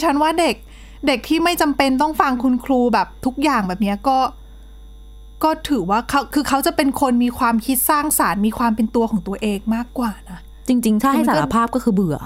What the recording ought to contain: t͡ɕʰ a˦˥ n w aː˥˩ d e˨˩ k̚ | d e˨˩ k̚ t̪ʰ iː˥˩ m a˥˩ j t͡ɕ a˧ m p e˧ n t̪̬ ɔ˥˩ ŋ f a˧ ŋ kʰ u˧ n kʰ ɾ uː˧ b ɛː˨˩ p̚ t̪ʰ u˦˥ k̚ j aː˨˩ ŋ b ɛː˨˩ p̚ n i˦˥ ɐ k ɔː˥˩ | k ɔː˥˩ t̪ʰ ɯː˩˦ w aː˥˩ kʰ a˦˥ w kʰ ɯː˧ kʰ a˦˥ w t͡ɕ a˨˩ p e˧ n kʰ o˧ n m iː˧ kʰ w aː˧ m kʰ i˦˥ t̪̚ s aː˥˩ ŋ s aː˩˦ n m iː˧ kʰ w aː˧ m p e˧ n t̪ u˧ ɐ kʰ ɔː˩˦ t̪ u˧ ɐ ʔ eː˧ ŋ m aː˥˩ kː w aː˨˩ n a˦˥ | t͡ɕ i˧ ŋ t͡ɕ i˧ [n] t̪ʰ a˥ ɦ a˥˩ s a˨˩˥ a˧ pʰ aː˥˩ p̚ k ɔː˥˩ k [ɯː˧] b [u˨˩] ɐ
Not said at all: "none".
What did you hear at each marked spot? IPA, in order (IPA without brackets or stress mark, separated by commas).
ŋ, ɯː˧, ɯ˨˩